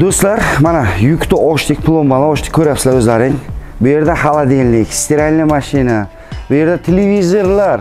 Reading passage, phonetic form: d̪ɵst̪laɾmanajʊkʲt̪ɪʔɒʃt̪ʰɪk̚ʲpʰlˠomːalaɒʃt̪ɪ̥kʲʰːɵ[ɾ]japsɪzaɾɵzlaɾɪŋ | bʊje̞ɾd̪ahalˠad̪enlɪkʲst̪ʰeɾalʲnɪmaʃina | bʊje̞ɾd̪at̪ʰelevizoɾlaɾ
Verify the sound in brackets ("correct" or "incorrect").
correct